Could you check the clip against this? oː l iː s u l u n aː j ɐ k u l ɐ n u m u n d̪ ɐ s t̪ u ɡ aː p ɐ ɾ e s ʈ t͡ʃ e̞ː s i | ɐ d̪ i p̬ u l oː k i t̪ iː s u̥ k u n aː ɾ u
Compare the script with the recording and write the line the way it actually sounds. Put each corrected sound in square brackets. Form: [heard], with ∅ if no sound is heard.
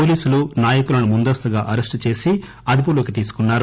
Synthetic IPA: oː l iː s u l u n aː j ɐ k u l ɐ n u m u n d̪ ɐ s t̪ u ɡ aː [ʔ] ɐ ɾ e s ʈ t͡ʃ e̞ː s i | ɐ d̪ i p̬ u l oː k i t̪ iː s u̥ k u [nː] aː ɾ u